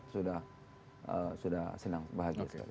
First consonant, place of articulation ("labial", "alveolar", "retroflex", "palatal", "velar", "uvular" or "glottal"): alveolar